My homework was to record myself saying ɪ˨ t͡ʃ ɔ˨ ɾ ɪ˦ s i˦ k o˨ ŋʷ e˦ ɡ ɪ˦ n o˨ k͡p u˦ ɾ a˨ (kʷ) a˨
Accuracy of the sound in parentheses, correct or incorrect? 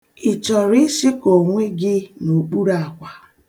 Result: correct